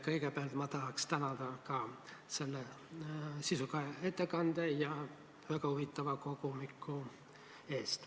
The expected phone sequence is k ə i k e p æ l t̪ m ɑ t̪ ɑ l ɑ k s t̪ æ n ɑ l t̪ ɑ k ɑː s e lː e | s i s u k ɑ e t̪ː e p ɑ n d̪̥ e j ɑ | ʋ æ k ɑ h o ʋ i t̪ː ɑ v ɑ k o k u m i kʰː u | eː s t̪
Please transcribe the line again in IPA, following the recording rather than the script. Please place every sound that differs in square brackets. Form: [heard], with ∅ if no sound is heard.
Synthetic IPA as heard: k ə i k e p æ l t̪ m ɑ t̪ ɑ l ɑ k s t̪ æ n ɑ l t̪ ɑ k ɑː s e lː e | s i s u k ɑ e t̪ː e [k] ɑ n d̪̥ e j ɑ | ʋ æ k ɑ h [u] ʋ i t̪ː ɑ [ʋ] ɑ k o k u m i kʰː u | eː s t̪